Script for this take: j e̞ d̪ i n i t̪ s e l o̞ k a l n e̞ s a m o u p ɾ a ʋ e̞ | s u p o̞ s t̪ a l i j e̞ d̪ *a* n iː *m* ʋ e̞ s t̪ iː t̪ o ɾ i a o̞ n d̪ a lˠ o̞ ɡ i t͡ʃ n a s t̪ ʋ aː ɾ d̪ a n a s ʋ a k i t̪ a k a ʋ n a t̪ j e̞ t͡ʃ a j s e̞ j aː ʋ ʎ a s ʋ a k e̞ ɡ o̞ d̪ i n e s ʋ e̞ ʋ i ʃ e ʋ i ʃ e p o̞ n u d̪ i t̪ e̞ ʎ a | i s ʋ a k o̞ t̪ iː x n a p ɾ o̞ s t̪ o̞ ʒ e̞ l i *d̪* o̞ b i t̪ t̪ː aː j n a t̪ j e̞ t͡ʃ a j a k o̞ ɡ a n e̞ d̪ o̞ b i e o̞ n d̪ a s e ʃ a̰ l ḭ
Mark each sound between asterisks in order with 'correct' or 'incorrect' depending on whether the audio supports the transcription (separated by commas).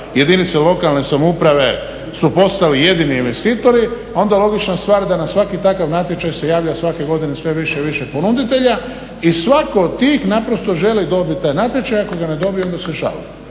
incorrect, incorrect, correct